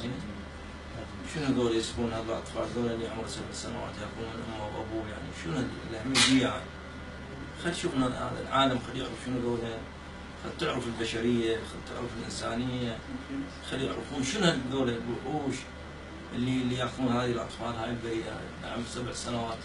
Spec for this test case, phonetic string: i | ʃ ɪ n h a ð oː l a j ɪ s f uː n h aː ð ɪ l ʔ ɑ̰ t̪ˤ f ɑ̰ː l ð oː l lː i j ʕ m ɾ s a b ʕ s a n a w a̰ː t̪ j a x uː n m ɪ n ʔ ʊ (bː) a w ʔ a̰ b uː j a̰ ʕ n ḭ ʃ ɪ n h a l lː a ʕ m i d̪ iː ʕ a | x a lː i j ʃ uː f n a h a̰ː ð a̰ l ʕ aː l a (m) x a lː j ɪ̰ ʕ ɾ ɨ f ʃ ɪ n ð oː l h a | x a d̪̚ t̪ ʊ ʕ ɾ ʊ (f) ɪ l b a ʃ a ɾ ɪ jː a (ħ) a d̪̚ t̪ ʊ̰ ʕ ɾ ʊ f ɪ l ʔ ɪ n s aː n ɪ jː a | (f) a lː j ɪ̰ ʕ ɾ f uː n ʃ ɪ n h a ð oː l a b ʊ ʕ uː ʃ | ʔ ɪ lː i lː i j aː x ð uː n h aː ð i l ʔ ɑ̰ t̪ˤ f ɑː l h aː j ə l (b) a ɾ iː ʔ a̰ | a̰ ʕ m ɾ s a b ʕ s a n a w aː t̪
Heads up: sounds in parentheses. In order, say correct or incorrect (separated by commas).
incorrect, correct, correct, incorrect, incorrect, correct